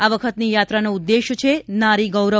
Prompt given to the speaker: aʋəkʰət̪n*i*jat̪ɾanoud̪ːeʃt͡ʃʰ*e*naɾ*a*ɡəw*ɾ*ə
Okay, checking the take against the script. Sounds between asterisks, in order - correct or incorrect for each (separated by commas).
correct, correct, incorrect, correct